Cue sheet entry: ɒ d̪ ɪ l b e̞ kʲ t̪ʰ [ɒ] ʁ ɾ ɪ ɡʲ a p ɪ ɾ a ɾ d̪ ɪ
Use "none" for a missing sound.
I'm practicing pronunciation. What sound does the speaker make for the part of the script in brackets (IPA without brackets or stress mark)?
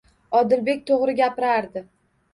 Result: o